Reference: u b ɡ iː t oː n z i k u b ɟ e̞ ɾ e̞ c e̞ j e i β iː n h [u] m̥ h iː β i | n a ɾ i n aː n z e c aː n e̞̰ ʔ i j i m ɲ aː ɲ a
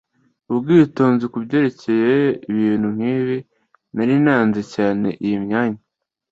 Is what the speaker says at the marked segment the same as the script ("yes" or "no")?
yes